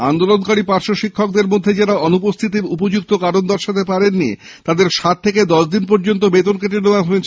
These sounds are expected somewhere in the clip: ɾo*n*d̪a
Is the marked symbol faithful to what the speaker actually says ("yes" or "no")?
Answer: yes